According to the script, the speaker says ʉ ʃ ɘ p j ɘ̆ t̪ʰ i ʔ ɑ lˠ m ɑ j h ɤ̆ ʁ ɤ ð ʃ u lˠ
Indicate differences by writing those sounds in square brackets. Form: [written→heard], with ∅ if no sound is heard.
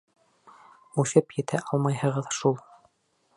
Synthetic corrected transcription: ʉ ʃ ɘ p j ɘ̆ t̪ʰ [i→æ] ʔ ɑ lˠ m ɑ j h ɤ̆ ʁ ɤ ð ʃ u lˠ

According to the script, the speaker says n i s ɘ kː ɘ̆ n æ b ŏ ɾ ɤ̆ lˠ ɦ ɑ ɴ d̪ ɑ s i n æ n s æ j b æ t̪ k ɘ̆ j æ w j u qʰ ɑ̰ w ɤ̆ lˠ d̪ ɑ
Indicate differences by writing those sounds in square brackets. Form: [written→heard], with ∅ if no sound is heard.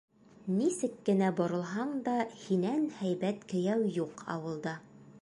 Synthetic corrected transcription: n i s ɘ kː ɘ̆ n æ b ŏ ɾ ɤ̆ lˠ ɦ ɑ ɴ d̪ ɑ [s→h] i n æ n [s→h] æ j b æ t̪ k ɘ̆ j æ w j u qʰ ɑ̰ w ɤ̆ lˠ d̪ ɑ

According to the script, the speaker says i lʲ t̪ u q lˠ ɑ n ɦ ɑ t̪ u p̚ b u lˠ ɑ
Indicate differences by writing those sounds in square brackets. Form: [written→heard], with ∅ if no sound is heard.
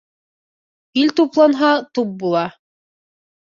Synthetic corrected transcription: i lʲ t̪ u [q→p] lˠ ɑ n ɦ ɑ t̪ u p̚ b u lˠ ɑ

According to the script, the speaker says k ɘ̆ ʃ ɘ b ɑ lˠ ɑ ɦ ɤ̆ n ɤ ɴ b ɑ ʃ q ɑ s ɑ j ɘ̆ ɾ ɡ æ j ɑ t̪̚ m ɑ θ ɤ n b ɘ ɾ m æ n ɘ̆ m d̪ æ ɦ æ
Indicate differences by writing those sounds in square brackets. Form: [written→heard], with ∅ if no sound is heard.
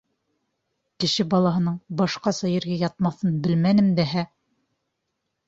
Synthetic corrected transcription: k ɘ̆ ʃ ɘ b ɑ lˠ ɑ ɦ ɤ̆ n ɤ ɴ b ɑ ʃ q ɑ s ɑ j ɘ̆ ɾ ɡ æ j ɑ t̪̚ m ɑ θ ɤ n b ɘ [ɾ→l] m æ n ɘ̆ m d̪ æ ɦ æ

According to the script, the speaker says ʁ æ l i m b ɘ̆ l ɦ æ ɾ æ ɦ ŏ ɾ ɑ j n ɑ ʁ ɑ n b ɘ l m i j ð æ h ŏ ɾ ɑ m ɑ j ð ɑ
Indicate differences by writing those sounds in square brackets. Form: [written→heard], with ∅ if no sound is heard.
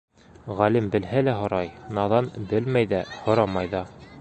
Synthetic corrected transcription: ʁ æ l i m b ɘ̆ l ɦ æ [ɾ→l] æ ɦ ŏ ɾ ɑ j n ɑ [ʁ→ð] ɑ n b ɘ l m [i→æ] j ð æ h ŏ ɾ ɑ m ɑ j ð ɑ

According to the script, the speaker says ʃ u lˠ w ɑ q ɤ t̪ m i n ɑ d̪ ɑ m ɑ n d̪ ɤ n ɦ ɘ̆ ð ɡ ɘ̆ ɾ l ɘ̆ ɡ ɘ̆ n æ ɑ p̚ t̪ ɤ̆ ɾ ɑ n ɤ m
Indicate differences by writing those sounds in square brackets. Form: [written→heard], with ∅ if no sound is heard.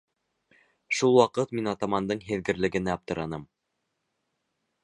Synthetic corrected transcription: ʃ u lˠ w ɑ q ɤ t̪ m i n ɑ [d̪→t̪] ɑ m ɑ n d̪ ɤ [n→ɴ] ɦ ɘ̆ ð ɡ ɘ̆ ɾ l ɘ̆ ɡ ɘ̆ n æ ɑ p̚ t̪ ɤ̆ ɾ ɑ n ɤ m

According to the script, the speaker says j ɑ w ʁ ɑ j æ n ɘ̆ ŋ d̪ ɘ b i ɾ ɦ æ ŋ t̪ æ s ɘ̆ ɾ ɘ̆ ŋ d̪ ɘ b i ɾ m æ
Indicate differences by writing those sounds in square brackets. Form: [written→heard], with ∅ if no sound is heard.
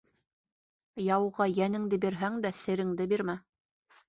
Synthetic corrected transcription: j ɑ w ʁ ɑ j æ n ɘ̆ ŋ d̪ ɘ b i ɾ ɦ æ ŋ [t̪→d̪] æ s ɘ̆ ɾ ɘ̆ ŋ d̪ ɘ b i ɾ m æ

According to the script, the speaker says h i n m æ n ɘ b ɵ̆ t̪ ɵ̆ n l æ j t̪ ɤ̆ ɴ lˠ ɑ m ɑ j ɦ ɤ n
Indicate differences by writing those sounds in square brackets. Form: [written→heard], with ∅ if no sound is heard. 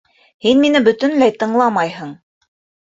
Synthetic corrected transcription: h i n m [æ→i] n ɘ b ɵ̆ t̪ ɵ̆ n l æ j t̪ ɤ̆ ɴ lˠ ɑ m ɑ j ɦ ɤ [n→ɴ]

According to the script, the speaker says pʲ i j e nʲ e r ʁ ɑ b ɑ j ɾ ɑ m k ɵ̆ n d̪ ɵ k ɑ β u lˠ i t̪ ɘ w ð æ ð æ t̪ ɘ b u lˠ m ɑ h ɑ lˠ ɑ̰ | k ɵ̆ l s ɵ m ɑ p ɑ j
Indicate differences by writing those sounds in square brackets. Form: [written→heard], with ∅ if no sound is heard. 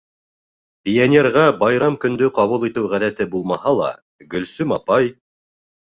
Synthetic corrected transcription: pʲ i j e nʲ e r ʁ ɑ b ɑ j ɾ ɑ m k ɵ̆ n d̪ ɵ [k→q] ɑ β u lˠ i t̪ ɘ w [ð→ʁ] æ ð æ t̪ ɘ b u lˠ m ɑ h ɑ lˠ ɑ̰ | [k→ɡ] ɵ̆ l s ɵ m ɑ p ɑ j

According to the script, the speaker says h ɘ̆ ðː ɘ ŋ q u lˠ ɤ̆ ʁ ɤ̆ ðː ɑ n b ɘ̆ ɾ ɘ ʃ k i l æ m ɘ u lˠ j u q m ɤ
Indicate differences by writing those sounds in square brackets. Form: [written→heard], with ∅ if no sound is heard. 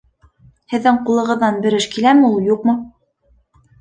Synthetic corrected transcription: h ɘ̆ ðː ɘ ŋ q u lˠ ɤ̆ ʁ ɤ̆ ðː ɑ n b ɘ̆ ɾ ɘ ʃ k i l æ m ɘ u lˠ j u q m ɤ

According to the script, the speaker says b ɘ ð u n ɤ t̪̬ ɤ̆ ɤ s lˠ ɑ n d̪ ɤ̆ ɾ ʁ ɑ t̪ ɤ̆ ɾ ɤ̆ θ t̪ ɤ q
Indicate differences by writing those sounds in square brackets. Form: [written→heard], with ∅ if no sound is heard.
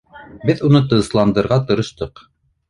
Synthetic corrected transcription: b ɘ ð u n ɤ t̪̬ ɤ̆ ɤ s lˠ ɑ n d̪ ɤ̆ ɾ ʁ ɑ t̪ ɤ̆ ɾ ɤ̆ [θ→ʃ] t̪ ɤ q

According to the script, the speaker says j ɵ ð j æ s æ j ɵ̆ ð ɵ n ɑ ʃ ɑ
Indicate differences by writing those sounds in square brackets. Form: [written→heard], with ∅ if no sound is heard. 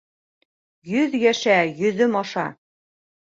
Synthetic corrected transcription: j ɵ ð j æ [s→ʃ] æ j ɵ̆ ð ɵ [n→m] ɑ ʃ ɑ

